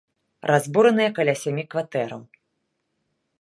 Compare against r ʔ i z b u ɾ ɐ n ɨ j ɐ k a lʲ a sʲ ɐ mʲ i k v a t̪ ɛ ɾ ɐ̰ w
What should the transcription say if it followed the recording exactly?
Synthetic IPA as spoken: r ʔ a z b u ɾ ɐ n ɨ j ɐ k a lʲ a sʲ a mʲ i k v a t̪ ɛ ɾ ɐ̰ w